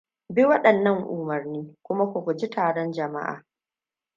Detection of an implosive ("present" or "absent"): present